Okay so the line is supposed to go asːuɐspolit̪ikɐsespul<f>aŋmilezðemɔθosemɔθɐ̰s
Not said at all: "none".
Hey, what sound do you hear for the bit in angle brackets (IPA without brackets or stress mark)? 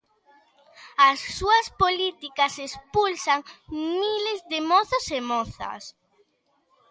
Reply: s